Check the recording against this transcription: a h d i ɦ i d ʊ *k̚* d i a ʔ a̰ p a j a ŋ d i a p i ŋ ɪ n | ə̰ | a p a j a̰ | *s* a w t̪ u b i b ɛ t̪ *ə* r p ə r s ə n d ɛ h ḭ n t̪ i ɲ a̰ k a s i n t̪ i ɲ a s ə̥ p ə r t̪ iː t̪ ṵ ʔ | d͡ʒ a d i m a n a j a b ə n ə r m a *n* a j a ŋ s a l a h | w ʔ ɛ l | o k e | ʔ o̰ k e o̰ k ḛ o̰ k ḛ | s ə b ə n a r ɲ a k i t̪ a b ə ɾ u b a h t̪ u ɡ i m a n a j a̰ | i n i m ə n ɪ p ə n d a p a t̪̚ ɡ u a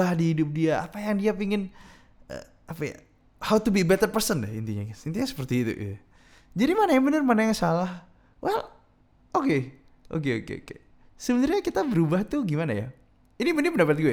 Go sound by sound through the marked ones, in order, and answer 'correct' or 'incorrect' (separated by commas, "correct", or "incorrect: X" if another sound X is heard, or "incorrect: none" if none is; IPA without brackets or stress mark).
incorrect: p̚, incorrect: h, correct, correct